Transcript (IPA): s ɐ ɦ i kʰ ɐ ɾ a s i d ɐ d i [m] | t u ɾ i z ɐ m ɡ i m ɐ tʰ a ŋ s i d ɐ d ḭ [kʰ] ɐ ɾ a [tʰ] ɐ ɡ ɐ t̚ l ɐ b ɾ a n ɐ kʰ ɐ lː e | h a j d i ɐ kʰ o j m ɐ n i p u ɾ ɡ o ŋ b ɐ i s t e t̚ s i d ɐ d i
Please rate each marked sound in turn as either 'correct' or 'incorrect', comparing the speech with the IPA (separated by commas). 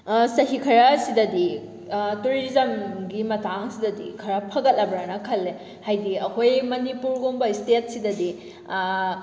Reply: incorrect, correct, incorrect